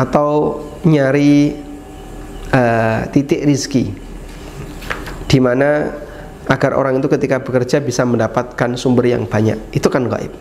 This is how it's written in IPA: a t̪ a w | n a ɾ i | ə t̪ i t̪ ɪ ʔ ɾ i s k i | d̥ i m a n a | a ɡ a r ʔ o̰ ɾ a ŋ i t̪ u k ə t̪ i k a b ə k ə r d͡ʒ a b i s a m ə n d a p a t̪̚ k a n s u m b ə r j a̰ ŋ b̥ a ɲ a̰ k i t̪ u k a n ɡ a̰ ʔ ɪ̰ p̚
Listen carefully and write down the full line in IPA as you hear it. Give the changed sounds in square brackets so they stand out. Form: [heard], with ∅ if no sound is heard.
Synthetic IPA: a t̪ a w | [ɲ] a ɾ i | ə t̪ i t̪ ɪ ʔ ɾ i s k i | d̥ i m a n a | a ɡ a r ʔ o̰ ɾ a ŋ i t̪ u k ə t̪ i k a b ə k ə r d͡ʒ a b i s a m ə n d a p a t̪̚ k a n s u m b ə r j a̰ ŋ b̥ a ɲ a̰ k i t̪ u k a n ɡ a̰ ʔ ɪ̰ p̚